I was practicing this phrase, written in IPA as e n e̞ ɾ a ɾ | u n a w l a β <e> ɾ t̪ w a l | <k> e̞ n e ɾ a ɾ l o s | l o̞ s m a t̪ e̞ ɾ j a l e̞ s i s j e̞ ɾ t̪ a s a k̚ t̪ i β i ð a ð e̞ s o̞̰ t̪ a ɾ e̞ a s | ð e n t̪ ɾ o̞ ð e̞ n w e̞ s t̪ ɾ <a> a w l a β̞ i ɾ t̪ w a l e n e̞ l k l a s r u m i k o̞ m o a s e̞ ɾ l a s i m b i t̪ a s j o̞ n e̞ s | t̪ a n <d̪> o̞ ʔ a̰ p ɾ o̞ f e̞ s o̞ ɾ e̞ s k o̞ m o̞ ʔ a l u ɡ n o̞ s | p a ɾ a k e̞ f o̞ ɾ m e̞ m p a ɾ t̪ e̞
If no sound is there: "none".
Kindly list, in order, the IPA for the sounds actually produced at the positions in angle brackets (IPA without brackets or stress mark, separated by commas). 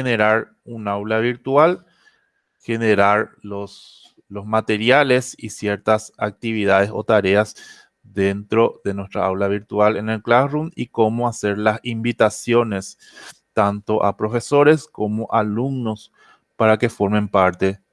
i, x, a, t̪